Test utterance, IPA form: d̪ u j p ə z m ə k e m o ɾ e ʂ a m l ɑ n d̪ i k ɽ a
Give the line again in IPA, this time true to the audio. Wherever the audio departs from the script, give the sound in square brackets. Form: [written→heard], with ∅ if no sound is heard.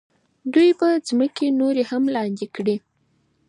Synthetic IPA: d̪ u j p ə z m ə k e [m→n] o ɾ e [ʂ→h] a m l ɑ n d̪ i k ɽ [a→i]